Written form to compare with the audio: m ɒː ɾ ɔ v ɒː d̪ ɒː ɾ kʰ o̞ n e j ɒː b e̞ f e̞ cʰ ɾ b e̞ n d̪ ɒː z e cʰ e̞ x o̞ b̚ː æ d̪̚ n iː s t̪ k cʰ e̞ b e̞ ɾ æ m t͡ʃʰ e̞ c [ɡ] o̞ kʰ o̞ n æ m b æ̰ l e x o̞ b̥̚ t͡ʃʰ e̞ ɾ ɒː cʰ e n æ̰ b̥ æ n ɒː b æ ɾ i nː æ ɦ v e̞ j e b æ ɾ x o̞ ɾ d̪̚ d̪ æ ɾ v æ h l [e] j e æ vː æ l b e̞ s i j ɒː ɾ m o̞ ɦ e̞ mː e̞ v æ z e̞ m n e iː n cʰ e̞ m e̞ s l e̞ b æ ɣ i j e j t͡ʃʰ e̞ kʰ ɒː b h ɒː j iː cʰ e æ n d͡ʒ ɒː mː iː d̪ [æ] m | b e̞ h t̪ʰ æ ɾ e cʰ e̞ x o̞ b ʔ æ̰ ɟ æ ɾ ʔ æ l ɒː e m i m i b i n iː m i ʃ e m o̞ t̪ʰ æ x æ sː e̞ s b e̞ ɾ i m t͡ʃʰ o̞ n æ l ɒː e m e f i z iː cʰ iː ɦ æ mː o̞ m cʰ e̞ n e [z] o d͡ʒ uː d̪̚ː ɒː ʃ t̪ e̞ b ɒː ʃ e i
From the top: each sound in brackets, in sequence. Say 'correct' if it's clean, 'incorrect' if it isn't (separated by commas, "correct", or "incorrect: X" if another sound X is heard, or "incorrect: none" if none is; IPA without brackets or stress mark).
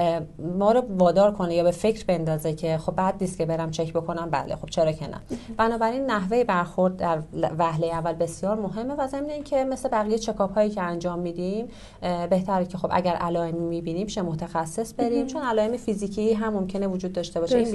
incorrect: b, correct, incorrect: i, incorrect: v